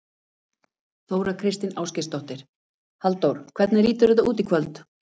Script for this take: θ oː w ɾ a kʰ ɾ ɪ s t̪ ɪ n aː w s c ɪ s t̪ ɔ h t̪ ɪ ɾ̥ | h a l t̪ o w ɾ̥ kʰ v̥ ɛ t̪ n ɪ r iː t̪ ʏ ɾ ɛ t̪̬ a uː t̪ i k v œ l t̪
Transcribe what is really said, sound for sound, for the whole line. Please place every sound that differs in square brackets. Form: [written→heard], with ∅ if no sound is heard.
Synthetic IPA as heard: θ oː w ɾ a kʰ ɾ ɪ s t̪ ɪ n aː w s c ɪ s t̪ ɔ h t̪ ɪ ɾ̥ | h a l t̪ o w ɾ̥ kʰ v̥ ɛ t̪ n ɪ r iː t̪ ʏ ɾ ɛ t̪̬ a uː t̪ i [k→kʰ] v œ l t̪